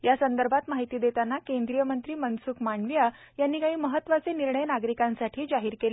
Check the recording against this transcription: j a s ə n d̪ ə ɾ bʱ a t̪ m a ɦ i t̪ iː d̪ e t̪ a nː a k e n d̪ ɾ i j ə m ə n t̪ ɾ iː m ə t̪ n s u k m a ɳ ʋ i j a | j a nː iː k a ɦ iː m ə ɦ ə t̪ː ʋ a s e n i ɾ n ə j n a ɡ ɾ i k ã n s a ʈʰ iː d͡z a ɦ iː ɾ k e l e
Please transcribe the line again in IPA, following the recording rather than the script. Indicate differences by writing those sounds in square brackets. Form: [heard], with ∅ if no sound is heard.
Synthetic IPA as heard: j a s ə n d̪ ə ɾ bʱ a t̪ m a ɦ i t̪ iː d̪ e t̪ a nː a k e n d̪ ɾ i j ə m ə n t̪ ɾ iː m ə [∅] n s u k m a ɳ ʋ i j a | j a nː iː k a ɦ iː m ə ɦ ə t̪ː ʋ a [t͡s] e n i ɾ [ɳ] ə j n a ɡ ɾ i k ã n s a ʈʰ iː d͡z a ɦ iː ɾ k e l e